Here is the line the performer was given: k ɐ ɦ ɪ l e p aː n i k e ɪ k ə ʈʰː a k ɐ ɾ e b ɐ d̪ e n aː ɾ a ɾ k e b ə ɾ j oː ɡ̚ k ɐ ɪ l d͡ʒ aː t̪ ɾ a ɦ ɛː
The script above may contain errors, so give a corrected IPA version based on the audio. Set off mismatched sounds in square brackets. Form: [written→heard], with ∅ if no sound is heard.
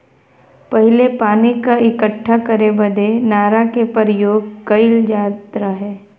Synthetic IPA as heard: [k→p] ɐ ɦ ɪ l e p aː n i k [e→a] ɪ k ə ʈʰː a k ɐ ɾ e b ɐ d̪ e n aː ɾ a [ɾ→∅] k e [b→p] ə ɾ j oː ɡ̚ k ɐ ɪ l d͡ʒ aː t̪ ɾ a ɦ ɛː